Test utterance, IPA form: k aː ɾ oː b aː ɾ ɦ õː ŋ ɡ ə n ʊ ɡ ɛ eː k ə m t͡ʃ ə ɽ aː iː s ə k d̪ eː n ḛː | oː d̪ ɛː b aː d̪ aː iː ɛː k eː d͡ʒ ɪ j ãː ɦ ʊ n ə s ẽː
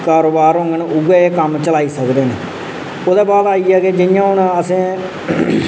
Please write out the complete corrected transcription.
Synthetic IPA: k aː ɾ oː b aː ɾ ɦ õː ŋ ɡ ə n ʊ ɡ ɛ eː k ə m t͡ʃ ə l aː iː s ə k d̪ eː n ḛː | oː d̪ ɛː b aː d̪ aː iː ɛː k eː d͡ʒ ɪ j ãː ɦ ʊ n ə s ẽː